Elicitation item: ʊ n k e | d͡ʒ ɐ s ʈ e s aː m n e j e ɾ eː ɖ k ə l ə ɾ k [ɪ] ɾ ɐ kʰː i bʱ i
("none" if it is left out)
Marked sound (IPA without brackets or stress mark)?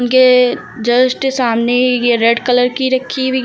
i